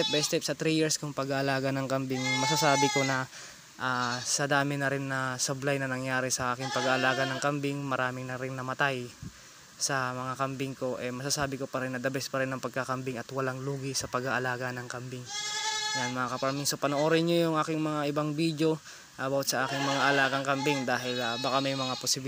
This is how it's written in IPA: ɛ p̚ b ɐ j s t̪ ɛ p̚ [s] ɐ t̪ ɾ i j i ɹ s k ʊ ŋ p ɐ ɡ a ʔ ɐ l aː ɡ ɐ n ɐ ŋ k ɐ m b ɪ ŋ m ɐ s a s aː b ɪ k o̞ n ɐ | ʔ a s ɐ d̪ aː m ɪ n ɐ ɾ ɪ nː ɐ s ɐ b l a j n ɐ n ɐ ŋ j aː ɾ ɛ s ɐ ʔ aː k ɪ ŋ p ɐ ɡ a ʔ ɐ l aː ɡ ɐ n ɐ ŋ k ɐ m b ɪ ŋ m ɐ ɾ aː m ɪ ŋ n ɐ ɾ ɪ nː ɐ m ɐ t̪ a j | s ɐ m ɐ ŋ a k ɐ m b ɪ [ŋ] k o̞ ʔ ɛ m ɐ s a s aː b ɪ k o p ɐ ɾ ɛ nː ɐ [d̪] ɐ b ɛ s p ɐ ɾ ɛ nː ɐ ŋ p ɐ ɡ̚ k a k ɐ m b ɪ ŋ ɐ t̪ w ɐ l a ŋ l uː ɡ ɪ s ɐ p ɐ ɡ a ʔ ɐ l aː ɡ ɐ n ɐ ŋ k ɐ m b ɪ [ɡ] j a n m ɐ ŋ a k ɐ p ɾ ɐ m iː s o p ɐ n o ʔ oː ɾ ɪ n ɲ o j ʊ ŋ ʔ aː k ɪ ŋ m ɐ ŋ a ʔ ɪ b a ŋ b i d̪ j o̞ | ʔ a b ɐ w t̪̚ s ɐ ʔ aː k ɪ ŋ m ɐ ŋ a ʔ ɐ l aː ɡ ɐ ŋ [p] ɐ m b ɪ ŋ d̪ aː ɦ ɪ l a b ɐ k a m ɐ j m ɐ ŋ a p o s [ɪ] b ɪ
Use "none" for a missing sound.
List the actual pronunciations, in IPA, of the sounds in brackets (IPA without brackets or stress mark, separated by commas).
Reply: s, ŋ, d̪, ŋ, k, ɪ